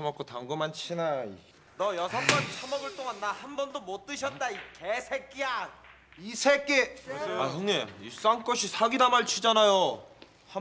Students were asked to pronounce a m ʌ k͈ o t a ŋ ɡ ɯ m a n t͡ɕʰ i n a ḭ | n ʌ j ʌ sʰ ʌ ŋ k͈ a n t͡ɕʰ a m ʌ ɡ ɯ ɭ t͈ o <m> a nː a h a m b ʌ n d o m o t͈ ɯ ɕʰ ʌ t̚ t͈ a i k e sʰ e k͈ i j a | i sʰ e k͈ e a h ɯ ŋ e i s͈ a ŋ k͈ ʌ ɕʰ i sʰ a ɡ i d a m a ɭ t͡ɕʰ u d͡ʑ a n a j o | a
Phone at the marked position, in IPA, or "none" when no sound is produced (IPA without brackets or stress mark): ŋ